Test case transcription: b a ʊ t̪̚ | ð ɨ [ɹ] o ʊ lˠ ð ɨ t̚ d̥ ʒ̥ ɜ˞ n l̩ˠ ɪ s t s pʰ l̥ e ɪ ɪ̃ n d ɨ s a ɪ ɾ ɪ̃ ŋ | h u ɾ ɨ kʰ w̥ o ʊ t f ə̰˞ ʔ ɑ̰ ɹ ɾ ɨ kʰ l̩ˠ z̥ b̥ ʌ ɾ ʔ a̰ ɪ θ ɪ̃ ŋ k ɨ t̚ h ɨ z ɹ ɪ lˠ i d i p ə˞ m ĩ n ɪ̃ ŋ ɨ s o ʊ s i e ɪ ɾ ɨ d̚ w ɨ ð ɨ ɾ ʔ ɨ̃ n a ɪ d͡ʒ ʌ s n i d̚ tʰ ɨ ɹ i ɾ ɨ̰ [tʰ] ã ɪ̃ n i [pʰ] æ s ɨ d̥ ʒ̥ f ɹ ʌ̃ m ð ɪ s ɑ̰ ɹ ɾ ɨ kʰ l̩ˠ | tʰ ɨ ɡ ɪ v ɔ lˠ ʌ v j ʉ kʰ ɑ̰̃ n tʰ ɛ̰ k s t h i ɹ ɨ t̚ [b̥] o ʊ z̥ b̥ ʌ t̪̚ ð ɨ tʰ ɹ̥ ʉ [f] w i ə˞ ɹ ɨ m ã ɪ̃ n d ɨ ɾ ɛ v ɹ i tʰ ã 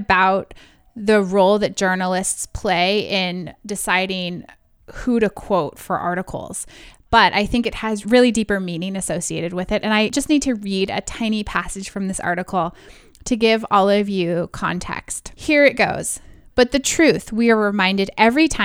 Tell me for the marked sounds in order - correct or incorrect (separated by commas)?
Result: correct, correct, correct, incorrect, incorrect